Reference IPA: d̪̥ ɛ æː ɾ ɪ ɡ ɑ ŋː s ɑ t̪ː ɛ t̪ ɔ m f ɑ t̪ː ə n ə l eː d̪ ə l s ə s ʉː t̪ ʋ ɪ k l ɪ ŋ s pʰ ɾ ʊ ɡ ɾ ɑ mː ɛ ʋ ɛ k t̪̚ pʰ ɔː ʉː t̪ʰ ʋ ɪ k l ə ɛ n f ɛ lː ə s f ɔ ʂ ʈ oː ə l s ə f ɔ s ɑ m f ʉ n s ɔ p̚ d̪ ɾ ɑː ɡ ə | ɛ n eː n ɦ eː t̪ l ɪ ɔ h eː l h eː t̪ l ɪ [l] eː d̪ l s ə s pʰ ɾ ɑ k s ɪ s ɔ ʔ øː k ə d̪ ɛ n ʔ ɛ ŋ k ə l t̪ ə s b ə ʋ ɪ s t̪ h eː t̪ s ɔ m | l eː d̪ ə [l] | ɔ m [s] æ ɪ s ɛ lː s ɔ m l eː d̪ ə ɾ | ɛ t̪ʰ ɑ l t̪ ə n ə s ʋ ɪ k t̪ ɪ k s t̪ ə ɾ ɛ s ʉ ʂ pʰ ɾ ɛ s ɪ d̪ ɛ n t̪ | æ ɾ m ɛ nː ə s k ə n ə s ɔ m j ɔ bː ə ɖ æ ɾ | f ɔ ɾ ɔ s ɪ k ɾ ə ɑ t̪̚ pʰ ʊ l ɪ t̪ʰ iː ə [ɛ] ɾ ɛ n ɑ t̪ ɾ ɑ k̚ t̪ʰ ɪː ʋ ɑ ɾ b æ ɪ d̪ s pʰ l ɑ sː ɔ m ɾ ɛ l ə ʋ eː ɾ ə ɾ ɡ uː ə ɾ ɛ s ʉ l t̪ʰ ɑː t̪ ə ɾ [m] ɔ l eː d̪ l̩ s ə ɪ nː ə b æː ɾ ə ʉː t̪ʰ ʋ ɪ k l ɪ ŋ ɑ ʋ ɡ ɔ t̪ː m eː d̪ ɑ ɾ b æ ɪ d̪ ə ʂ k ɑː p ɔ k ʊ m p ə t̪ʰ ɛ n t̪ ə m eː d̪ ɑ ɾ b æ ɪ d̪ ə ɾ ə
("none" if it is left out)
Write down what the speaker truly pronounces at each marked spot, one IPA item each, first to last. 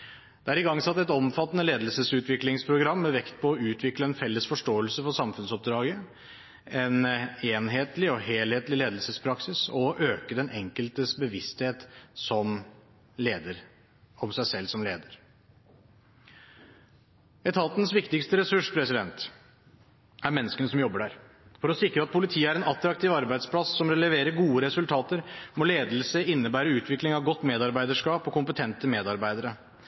l, ɾ, s, æ, m

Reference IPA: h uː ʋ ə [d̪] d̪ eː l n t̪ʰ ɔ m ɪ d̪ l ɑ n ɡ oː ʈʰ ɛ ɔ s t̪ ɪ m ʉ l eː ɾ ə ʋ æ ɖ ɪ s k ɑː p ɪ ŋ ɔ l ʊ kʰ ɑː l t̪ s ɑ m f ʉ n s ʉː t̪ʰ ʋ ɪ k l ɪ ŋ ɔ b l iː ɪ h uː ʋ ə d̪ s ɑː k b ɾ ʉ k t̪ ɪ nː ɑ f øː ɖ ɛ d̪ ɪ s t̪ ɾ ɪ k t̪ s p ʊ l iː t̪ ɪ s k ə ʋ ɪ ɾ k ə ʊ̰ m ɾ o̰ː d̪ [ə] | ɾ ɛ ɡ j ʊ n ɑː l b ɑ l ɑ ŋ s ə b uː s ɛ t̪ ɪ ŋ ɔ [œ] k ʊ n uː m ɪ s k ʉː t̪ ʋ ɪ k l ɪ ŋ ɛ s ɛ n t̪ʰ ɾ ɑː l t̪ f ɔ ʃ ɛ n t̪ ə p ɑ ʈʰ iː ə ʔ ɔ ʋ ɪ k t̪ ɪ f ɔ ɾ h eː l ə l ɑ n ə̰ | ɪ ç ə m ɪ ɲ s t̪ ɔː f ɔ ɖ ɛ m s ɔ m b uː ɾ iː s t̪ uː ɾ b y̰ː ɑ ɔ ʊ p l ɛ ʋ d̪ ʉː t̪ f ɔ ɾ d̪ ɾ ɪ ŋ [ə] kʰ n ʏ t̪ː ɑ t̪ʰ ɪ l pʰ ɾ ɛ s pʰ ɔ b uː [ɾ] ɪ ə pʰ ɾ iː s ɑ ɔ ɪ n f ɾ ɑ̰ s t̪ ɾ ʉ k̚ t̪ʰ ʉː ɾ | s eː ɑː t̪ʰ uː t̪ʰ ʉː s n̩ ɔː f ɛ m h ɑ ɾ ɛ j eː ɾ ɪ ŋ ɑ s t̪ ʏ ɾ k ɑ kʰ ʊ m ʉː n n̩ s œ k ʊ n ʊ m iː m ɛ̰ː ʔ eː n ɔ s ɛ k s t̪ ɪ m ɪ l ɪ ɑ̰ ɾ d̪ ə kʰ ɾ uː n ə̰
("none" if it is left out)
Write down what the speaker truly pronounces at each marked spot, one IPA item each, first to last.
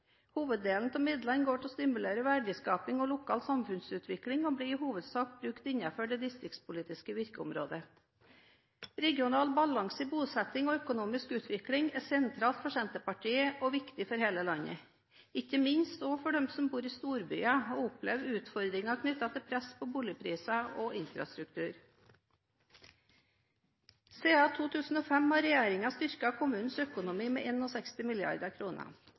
d̪, ə, œ, ɑ, l

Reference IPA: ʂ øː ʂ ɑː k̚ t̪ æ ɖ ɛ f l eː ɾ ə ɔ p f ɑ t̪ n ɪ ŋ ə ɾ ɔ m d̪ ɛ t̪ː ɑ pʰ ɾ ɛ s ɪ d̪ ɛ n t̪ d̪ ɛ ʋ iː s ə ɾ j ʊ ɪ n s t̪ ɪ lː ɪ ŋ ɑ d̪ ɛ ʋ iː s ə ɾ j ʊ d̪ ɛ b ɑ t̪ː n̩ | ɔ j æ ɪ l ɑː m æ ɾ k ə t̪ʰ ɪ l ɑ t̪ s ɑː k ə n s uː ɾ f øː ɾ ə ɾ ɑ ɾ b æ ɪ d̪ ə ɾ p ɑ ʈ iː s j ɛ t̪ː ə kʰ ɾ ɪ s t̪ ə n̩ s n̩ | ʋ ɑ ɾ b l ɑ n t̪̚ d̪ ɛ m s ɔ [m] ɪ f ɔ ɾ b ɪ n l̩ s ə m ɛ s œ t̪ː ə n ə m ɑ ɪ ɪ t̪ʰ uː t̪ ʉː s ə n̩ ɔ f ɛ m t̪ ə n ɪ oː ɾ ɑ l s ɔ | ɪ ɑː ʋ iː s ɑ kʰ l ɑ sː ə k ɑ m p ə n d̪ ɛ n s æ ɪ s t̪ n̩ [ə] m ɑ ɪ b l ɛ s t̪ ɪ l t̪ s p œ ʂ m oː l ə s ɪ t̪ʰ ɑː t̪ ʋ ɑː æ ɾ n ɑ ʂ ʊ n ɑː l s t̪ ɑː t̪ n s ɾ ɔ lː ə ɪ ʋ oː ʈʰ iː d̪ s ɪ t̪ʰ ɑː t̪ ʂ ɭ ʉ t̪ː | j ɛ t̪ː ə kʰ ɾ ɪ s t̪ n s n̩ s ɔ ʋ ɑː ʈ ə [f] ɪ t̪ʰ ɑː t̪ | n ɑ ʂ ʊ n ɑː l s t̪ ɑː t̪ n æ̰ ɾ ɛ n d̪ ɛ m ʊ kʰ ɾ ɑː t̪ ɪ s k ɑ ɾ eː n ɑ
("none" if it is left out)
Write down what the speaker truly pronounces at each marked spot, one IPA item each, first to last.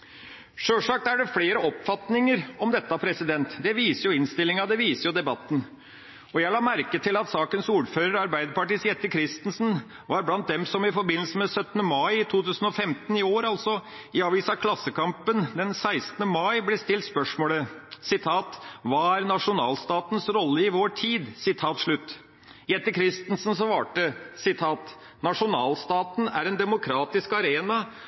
m, ə, s

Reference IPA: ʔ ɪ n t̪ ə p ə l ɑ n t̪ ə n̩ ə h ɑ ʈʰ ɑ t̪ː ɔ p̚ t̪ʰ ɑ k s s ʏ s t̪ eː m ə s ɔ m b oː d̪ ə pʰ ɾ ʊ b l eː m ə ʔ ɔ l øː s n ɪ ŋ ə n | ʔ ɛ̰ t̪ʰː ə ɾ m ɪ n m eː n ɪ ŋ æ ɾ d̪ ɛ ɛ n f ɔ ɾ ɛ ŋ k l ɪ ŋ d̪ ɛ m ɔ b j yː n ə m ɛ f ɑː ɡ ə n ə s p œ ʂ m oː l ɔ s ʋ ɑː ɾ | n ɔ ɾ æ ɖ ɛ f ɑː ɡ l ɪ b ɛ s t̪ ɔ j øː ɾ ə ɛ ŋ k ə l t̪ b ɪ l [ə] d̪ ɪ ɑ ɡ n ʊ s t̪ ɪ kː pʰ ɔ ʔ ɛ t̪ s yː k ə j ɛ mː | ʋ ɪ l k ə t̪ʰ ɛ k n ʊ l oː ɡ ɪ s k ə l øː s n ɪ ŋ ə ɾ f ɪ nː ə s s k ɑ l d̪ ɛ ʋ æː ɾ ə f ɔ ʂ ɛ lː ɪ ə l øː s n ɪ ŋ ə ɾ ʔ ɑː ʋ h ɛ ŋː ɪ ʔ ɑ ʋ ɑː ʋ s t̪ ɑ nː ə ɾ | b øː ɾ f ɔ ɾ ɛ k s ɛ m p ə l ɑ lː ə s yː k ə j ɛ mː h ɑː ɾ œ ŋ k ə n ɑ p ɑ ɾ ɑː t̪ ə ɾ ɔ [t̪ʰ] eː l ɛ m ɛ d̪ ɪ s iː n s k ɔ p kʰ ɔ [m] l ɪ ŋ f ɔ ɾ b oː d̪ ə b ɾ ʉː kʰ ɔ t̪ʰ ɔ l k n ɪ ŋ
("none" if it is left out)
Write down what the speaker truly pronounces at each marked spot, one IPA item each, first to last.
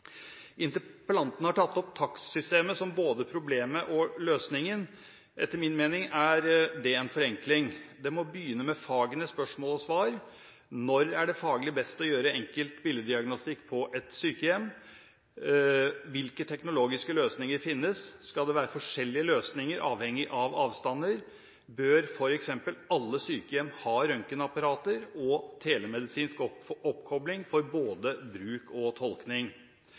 ə, t̪ʰ, b

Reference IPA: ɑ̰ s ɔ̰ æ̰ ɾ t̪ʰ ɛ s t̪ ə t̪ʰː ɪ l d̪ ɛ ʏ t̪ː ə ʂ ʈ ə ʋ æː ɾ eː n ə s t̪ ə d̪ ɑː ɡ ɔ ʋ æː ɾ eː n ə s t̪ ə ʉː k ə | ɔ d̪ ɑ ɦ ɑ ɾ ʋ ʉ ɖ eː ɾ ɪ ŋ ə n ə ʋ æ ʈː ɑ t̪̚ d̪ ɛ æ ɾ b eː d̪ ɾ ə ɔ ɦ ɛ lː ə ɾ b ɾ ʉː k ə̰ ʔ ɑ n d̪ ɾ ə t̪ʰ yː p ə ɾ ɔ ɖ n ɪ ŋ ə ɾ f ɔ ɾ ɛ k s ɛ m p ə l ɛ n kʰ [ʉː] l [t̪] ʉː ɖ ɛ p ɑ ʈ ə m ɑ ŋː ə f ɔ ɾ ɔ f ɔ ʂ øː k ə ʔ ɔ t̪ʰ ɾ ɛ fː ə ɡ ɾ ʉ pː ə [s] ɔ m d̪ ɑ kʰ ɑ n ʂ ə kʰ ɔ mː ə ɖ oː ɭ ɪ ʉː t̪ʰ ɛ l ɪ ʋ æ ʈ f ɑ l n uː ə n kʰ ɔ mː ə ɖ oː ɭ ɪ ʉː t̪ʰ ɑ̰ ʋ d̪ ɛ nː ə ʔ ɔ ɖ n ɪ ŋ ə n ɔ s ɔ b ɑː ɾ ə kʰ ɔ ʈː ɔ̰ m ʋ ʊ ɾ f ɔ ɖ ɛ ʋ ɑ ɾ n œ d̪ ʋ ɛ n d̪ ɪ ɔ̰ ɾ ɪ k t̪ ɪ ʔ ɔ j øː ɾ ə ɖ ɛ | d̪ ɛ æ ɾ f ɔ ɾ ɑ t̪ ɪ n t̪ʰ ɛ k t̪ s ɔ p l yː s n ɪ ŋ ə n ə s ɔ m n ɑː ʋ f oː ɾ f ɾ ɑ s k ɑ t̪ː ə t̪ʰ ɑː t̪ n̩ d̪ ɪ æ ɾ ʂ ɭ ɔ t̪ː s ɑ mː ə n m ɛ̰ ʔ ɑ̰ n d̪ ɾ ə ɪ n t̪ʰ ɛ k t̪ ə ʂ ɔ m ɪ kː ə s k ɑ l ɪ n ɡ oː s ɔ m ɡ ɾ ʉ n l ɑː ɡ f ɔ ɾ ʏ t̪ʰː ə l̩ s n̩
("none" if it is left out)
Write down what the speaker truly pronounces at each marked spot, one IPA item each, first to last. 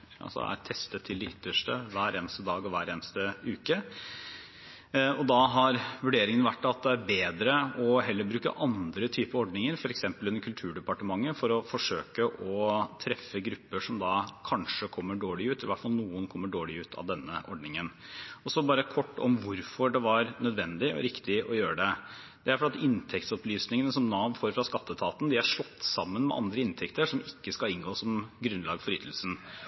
ʉ, t̪ʰ, ʂ

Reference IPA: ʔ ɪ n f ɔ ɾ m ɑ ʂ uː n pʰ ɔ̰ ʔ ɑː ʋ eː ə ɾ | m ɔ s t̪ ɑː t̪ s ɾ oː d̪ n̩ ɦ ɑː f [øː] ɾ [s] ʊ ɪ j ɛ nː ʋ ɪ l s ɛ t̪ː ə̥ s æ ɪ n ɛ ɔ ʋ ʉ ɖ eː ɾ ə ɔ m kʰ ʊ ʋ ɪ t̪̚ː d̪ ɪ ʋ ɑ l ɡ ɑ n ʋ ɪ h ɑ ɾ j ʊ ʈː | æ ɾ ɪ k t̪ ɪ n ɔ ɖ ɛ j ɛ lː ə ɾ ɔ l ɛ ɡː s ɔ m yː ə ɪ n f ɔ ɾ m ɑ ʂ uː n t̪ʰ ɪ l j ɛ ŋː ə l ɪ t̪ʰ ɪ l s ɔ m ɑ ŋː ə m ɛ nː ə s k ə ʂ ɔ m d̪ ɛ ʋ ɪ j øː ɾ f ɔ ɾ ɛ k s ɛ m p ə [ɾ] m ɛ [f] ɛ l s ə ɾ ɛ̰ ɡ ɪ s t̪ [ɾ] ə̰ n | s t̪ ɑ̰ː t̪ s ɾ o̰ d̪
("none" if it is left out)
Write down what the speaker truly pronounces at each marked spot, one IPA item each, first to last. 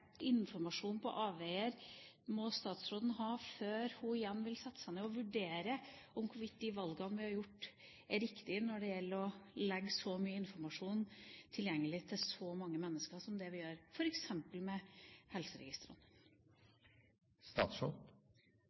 øː, h, l, h, ɾ

